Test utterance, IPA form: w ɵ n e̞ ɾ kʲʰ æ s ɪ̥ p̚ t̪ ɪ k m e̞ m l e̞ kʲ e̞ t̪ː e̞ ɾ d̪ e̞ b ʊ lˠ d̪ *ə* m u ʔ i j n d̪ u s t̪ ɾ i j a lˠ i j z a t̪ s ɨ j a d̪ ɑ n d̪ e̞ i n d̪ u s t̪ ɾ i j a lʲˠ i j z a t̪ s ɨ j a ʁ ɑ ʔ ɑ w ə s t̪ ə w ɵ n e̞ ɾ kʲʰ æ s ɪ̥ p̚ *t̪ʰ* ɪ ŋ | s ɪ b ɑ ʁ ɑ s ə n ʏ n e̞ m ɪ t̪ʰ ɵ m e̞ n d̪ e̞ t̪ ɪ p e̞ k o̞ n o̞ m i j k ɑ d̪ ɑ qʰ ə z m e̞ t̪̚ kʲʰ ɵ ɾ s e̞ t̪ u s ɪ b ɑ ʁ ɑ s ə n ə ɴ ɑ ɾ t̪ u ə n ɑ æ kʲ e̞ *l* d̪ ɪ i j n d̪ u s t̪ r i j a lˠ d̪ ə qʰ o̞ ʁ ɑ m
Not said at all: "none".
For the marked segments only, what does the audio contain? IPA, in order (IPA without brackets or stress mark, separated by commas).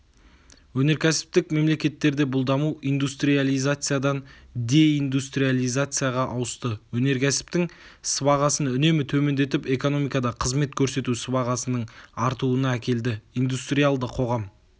ɑ, t̪, l